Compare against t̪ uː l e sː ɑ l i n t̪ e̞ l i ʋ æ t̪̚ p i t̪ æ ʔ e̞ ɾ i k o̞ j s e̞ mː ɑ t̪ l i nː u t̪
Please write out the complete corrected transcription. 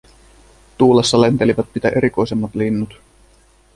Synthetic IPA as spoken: t̪ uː l e sː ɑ l e n t̪ e̞ l i ʋ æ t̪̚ p i t̪ æ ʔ e̞ ɾ i k o̞ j s e̞ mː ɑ t̪ l i nː u t̪